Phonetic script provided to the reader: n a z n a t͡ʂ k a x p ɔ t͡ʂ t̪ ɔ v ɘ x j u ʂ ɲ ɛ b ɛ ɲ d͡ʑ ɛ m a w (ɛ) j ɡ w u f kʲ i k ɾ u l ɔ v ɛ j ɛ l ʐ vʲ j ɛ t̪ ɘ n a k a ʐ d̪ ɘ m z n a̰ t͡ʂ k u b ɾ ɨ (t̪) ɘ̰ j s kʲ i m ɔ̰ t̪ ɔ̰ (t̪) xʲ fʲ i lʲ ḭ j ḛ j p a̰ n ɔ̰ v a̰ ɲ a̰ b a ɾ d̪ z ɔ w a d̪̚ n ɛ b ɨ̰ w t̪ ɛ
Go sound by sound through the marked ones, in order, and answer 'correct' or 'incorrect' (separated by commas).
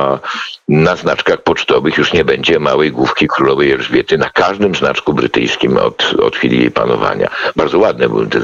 correct, correct, correct